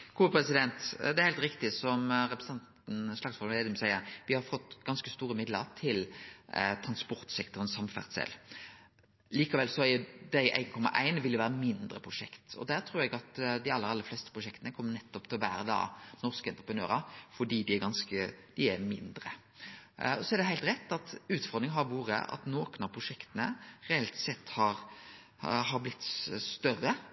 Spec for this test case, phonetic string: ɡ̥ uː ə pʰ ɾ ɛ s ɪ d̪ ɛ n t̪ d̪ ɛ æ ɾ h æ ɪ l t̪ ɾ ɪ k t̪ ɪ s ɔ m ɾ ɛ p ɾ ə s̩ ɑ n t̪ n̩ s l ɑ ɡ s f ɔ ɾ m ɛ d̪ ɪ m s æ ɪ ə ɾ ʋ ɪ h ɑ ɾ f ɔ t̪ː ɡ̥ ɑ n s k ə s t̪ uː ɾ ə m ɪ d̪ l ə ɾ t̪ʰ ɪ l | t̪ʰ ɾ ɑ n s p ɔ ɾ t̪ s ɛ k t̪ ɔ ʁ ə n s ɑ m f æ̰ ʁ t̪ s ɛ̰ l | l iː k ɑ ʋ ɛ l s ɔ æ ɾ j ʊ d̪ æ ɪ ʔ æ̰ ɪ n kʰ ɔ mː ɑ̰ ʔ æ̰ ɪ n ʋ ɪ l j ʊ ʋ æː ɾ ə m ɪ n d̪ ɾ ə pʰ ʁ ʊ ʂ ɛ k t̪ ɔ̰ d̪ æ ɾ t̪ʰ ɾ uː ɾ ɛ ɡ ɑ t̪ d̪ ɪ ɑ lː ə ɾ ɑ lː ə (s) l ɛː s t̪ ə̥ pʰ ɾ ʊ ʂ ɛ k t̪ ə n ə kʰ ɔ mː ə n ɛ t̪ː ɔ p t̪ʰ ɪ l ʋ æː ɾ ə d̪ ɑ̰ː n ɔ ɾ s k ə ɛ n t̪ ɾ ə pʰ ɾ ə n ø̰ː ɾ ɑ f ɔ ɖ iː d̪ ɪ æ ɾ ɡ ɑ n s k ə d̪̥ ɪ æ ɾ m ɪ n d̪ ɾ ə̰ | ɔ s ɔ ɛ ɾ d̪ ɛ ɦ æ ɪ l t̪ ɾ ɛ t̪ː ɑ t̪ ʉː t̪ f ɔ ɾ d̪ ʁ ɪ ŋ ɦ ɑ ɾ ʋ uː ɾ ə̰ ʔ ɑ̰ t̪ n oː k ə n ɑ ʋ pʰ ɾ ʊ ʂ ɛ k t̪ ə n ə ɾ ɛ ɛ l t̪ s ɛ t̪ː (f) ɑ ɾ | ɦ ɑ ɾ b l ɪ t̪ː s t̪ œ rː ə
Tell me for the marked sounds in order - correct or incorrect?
incorrect: f, incorrect: h

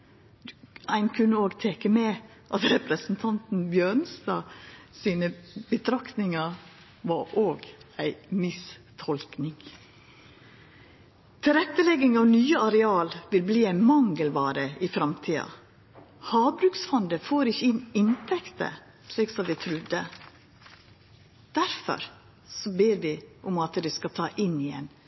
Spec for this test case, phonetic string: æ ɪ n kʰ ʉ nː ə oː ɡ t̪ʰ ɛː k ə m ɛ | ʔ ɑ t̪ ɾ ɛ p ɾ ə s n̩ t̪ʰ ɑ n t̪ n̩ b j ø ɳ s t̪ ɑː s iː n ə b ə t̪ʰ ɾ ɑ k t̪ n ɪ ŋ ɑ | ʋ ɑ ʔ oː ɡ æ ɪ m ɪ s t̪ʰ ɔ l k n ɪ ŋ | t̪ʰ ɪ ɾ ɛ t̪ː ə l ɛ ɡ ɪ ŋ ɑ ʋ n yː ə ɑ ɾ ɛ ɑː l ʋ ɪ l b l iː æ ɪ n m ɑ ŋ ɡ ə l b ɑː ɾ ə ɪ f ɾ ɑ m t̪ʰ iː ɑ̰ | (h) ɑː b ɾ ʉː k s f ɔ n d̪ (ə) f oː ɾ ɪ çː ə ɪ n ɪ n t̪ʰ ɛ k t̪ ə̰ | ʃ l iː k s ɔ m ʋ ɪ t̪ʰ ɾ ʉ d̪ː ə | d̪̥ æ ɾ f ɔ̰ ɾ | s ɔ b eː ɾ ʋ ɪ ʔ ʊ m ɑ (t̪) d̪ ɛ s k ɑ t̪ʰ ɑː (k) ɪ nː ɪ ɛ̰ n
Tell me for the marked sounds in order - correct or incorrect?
correct, correct, correct, incorrect: ʔ

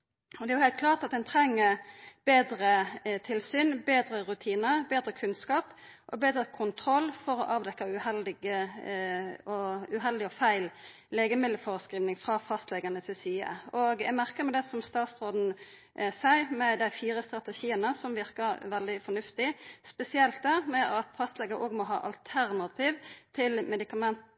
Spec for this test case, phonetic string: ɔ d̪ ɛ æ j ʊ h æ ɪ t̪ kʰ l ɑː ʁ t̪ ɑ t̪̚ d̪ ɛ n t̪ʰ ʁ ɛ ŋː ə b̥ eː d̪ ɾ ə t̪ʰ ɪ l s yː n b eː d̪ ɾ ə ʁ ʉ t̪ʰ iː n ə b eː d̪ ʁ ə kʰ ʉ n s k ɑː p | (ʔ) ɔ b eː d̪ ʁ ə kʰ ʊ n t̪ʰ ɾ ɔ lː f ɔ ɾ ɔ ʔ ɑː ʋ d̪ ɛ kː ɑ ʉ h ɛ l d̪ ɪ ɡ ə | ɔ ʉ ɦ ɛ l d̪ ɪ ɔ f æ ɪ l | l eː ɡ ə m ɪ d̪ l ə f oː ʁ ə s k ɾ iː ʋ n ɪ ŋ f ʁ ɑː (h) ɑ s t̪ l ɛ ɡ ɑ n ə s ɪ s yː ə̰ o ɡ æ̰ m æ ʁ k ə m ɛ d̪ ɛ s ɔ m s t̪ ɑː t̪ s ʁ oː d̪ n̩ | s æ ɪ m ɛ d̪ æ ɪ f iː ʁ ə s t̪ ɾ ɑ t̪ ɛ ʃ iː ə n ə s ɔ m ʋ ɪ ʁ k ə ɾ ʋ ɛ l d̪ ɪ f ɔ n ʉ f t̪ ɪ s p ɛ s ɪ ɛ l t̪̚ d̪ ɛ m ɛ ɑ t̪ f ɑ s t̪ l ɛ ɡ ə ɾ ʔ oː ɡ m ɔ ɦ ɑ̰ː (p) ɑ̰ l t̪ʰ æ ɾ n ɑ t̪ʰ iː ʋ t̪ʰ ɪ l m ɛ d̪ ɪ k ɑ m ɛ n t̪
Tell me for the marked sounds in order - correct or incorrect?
correct, incorrect: f, incorrect: ʔ

